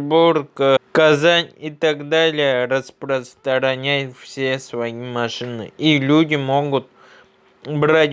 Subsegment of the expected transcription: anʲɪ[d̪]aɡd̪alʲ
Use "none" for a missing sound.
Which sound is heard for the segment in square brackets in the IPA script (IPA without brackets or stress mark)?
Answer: t̪